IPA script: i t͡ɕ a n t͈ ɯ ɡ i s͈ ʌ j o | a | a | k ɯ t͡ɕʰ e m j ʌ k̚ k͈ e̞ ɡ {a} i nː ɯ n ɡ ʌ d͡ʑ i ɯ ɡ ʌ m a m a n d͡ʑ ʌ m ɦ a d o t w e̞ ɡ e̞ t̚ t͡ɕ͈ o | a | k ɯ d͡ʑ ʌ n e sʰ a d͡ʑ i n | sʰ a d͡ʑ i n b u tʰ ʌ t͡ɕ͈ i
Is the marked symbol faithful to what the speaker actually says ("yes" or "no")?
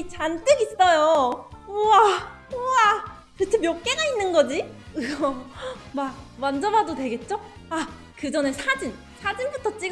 yes